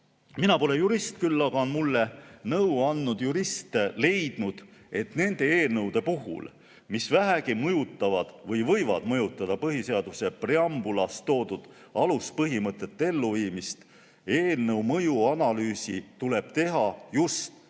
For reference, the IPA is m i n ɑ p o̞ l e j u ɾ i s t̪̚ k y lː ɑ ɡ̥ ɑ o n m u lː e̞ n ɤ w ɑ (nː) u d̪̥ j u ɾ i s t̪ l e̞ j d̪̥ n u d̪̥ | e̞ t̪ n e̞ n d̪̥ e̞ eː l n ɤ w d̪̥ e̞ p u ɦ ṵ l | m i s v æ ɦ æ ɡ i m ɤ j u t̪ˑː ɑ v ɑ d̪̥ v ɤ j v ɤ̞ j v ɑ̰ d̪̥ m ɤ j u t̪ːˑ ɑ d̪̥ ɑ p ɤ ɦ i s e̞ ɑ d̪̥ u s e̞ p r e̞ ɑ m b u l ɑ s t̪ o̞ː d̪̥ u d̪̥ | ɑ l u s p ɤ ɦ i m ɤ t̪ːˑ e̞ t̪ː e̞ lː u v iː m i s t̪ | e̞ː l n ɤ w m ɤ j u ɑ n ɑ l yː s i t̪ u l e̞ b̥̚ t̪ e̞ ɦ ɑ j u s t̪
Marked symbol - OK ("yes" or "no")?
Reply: yes